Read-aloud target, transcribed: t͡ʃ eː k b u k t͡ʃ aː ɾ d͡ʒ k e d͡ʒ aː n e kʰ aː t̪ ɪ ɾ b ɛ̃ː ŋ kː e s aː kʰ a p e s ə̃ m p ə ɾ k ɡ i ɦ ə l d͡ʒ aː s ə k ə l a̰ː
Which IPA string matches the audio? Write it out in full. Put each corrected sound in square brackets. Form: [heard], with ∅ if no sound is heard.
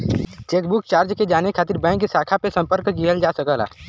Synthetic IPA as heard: t͡ʃ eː k b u k t͡ʃ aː ɾ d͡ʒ k e d͡ʒ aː n e kʰ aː t̪ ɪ ɾ b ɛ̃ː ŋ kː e s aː kʰ a p e s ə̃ m p ə ɾ k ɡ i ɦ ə l d͡ʒ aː s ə k ə l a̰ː